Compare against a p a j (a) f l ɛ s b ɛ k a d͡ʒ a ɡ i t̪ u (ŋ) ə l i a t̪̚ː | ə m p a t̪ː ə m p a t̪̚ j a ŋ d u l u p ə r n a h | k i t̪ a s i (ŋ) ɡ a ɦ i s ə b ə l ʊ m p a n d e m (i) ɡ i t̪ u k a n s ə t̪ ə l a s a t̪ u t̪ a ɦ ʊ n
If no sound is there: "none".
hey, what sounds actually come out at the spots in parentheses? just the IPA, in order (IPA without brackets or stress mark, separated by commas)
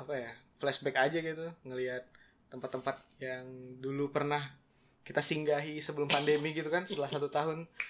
a, ŋ, ŋ, i